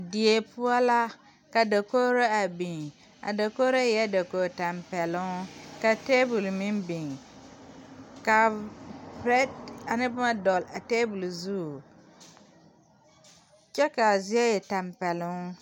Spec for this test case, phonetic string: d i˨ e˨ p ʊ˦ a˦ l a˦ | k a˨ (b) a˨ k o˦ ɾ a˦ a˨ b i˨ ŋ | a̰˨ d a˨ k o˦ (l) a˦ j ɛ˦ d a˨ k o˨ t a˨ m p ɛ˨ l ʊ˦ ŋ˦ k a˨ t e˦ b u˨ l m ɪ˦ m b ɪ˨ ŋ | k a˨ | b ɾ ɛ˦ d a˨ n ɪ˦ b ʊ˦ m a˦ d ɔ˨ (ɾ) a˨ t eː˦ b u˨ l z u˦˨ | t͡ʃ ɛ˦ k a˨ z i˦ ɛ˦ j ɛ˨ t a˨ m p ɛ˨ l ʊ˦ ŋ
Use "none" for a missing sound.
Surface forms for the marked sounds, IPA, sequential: d, ɾ, l

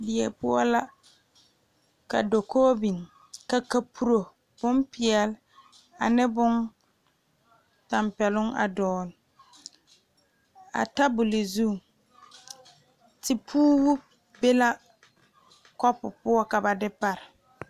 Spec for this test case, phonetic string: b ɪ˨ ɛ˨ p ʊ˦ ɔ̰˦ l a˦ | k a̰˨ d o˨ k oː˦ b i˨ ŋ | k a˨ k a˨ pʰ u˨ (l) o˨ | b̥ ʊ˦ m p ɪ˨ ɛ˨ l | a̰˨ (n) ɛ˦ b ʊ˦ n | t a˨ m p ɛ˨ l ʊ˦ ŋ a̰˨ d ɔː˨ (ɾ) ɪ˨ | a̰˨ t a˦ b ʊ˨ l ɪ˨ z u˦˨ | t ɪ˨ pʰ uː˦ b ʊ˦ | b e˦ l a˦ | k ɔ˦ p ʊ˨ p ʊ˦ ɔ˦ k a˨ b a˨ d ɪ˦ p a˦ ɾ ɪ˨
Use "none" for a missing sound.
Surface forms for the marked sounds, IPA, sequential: ɾ, n, l

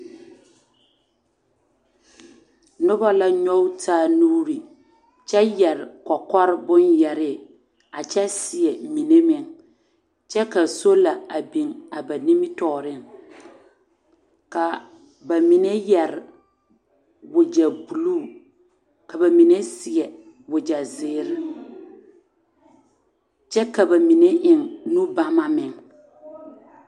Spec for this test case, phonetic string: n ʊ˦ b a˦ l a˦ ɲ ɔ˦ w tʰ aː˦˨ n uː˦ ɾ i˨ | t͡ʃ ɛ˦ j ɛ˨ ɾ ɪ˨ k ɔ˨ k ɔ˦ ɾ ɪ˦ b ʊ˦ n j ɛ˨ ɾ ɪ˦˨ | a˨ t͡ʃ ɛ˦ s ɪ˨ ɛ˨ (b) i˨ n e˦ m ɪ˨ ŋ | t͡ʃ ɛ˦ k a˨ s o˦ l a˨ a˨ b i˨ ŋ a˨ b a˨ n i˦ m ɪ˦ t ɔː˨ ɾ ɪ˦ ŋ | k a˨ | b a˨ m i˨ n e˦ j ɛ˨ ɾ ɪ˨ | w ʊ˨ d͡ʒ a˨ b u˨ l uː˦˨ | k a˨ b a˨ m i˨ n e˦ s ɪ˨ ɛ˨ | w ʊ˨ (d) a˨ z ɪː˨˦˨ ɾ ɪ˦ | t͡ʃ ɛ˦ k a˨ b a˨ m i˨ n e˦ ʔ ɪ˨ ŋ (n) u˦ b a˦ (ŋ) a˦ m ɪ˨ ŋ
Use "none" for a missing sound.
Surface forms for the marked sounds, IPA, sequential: m, d͡ʒ, n, m

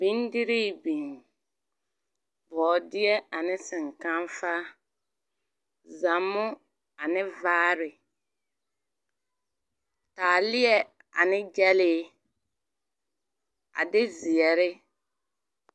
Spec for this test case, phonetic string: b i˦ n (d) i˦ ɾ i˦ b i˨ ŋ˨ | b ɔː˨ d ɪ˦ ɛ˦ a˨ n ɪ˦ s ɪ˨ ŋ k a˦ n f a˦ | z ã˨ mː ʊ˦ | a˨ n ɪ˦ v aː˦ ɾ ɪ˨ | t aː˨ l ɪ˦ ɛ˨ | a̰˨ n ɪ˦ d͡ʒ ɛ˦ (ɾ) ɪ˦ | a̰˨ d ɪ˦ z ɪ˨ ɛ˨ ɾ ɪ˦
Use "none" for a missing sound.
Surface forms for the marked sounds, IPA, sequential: d, l

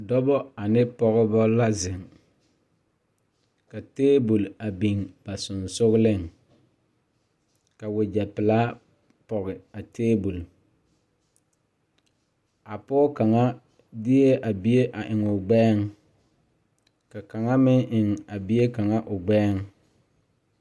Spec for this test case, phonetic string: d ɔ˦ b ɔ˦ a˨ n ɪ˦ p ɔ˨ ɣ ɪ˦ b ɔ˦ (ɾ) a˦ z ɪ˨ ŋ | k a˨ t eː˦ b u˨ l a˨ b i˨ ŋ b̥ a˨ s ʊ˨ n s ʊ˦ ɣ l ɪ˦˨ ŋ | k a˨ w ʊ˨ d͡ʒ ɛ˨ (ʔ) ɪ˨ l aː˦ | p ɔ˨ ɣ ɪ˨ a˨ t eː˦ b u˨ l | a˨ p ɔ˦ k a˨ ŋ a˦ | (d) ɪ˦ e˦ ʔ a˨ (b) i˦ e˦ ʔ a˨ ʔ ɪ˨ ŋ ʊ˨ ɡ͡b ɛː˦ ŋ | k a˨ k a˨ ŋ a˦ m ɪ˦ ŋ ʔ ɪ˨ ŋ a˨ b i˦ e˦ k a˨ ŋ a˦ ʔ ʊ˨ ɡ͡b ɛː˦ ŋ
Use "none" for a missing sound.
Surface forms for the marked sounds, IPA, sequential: l, p, d, b

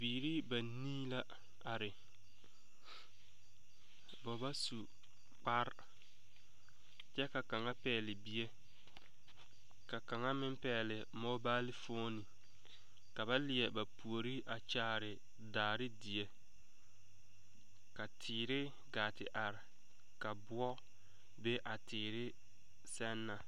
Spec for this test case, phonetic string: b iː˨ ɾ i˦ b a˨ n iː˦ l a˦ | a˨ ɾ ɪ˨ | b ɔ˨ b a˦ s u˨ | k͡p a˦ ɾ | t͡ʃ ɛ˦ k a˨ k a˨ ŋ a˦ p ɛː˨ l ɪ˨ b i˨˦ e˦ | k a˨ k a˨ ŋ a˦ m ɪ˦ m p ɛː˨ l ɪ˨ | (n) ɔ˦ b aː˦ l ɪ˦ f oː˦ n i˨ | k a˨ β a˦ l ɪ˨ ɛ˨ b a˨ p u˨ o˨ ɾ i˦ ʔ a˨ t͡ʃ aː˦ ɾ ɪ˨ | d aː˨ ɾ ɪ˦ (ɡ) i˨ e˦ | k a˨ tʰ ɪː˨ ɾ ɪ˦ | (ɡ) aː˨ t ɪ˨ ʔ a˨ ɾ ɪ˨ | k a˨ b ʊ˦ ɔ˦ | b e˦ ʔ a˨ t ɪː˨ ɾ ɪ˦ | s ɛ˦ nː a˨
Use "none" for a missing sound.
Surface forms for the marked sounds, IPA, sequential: m, d, ɡ

